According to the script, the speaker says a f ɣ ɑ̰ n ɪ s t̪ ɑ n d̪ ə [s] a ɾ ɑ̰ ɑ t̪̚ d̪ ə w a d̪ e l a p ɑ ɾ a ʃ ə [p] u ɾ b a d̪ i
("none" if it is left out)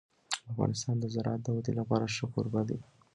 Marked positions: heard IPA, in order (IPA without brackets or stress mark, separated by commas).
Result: z, k